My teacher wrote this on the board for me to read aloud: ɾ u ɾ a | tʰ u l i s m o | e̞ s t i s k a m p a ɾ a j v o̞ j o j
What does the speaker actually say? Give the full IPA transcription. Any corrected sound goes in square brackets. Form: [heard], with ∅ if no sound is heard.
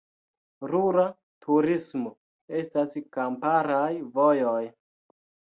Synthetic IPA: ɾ u ɾ a | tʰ u [ɾ] i s m o | e̞ s t [a] s k a m p a ɾ a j v o̞ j o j

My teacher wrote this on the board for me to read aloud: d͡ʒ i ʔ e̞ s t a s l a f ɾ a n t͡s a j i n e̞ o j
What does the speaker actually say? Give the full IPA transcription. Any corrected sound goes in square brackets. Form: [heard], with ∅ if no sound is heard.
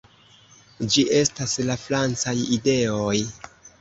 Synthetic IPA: d͡ʒ i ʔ e̞ s t a s l a f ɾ a n t͡s a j i [d] e̞ o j

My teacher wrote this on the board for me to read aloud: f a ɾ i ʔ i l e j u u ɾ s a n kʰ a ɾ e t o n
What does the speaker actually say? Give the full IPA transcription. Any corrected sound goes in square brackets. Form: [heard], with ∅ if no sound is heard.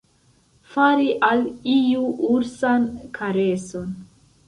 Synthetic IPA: f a ɾ i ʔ [a] l [i] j u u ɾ s a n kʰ a ɾ e [s] o n

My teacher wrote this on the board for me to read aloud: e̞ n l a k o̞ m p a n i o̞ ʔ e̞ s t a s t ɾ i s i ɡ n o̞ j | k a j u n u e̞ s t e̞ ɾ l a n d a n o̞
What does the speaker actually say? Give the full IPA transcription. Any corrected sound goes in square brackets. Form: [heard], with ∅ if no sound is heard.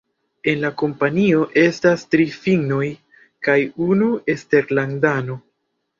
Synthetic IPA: e̞ n l a k o̞ m p a n i o̞ ʔ e̞ s t a s t ɾ i [f] i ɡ n o̞ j | k a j u n u e̞ s t e̞ ɾ l a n d a n o̞

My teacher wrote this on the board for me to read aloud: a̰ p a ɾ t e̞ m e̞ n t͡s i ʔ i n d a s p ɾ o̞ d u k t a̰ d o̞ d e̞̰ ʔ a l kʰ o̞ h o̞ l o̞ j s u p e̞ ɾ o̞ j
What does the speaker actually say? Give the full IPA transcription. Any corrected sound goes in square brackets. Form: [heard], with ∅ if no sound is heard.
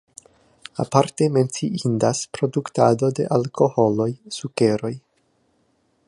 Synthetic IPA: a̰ p a ɾ t e̞ m e̞ n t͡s i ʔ i n d a s p ɾ o̞ d u k t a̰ d o̞ d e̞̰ ʔ a l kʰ o̞ h o̞ l o̞ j s u [k] e̞ ɾ o̞ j

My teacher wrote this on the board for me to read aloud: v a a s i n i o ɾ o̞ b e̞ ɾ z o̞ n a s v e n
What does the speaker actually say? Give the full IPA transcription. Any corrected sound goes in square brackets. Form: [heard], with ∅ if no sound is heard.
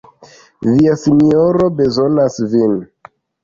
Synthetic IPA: v [i] a s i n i o ɾ o̞ b e̞ [∅] z o̞ n a s v [i] n

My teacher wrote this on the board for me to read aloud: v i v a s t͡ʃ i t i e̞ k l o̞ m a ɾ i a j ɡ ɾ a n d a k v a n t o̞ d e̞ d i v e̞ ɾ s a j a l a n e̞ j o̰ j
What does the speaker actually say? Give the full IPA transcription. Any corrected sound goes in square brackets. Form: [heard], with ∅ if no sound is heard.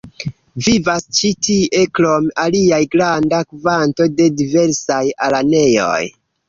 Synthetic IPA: v i v a s t͡ʃ i t i e̞ k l o̞ m a [l] i a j ɡ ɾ a n d a k v a n t o̞ d e̞ d i v e̞ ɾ s a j a l a n e̞ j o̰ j

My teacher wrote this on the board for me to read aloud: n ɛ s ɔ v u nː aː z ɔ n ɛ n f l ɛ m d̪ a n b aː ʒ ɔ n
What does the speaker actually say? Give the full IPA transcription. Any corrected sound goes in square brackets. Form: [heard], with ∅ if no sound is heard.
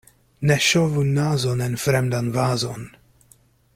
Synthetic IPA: n ɛ [ʃ] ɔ v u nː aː z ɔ n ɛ n f [ɾ] ɛ m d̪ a n [v] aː [z] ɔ n

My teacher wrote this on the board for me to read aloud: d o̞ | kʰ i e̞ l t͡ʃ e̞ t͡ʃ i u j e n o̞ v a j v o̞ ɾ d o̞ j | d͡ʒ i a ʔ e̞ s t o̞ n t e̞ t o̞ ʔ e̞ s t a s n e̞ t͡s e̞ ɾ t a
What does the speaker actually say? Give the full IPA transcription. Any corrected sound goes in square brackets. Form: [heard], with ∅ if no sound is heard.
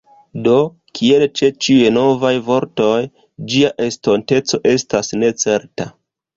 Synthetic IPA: d o̞ | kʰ i e̞ l t͡ʃ e̞ t͡ʃ i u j e n o̞ v a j v o̞ ɾ [t] o̞ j | d͡ʒ i a ʔ e̞ s t o̞ n t e̞ [t͡s] o̞ ʔ e̞ s t a s n e̞ t͡s e̞ ɾ t a

